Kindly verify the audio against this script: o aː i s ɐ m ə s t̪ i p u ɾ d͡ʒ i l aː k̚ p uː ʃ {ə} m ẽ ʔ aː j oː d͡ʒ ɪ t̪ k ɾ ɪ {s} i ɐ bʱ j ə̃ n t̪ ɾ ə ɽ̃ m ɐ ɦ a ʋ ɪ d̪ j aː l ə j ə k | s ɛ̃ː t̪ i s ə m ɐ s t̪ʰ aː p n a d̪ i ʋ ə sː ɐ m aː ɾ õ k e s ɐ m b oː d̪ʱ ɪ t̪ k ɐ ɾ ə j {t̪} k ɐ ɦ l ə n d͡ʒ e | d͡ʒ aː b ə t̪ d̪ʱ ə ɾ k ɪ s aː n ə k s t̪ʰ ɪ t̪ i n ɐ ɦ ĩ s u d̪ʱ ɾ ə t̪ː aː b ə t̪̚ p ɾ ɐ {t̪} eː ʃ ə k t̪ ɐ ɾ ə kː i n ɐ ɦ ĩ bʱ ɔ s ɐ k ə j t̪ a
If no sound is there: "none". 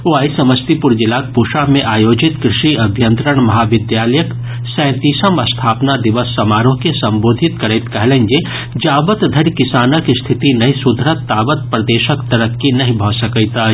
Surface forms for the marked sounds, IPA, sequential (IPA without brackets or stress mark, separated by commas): a, ʃ, t̪, d̪